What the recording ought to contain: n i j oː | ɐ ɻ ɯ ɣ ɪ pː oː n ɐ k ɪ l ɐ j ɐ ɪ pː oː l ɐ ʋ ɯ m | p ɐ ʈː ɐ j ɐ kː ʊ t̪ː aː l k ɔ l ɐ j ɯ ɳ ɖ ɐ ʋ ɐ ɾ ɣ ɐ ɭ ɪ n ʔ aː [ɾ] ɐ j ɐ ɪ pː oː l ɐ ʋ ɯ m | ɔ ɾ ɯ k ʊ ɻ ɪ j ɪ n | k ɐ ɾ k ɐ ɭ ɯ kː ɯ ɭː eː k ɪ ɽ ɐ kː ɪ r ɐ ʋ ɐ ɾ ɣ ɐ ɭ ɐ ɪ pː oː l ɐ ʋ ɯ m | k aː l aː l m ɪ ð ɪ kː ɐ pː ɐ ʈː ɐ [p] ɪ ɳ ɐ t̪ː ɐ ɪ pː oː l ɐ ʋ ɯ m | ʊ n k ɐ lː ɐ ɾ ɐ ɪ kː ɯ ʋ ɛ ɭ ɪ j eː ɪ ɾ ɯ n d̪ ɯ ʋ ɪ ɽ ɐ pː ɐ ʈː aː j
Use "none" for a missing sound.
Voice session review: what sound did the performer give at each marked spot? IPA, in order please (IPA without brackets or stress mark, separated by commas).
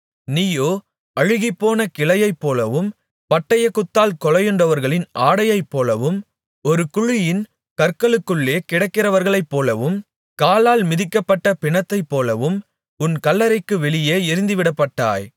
ɽ, p